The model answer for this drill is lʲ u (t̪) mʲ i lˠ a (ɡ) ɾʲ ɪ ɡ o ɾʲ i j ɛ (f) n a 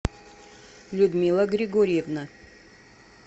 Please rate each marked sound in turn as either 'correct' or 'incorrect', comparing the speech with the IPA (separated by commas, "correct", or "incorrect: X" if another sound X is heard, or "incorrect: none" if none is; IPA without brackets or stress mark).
incorrect: d̪, correct, incorrect: v